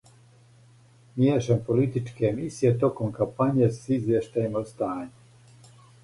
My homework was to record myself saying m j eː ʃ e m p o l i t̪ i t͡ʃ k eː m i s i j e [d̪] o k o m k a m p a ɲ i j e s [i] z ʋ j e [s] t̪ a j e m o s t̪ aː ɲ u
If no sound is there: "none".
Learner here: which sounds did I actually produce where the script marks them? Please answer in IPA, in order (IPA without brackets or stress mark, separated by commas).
t̪, i, ʃ